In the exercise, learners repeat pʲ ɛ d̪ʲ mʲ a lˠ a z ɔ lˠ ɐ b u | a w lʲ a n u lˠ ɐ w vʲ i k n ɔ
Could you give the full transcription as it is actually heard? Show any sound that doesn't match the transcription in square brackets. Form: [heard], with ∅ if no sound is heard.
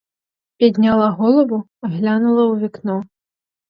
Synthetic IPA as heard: pʲ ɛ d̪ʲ [nʲ] a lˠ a [ɣ] ɔ lˠ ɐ b u | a [ɣ] lʲ a n u lˠ ɐ w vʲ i k n ɔ